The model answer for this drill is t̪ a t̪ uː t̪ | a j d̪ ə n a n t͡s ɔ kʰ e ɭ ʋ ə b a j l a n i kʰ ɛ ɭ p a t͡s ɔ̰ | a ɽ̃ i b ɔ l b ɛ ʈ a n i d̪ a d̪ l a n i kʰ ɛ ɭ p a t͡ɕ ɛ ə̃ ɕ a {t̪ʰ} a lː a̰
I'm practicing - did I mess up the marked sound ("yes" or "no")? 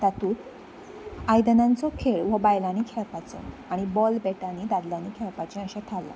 no